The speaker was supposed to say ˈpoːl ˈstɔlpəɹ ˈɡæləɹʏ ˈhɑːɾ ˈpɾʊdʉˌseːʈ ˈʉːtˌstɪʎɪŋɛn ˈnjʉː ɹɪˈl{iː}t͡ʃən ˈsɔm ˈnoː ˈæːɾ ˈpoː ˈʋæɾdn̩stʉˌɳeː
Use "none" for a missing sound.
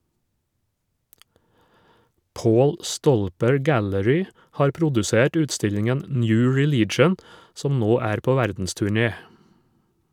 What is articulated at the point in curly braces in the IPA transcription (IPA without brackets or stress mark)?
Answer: iː